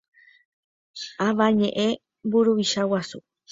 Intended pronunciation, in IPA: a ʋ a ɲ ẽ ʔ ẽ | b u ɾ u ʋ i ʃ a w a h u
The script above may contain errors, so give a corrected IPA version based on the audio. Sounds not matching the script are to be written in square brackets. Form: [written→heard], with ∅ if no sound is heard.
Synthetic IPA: a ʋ a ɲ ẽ ʔ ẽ | b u ɾ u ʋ i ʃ a w a [h→s] u